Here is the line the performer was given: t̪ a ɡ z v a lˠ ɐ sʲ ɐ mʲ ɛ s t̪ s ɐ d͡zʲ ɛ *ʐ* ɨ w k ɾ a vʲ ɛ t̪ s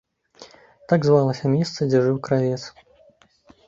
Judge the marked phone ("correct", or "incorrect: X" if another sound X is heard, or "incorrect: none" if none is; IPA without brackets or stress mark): correct